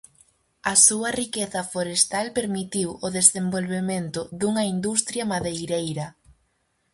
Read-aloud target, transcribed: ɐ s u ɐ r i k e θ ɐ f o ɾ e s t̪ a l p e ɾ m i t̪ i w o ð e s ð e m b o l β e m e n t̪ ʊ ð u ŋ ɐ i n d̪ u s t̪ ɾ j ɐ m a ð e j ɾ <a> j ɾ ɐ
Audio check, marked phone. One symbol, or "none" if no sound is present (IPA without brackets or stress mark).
e